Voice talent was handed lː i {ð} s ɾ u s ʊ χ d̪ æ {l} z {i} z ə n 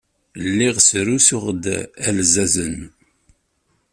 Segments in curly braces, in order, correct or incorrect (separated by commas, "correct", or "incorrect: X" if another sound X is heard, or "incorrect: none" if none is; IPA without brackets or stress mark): incorrect: ʁ, correct, incorrect: æ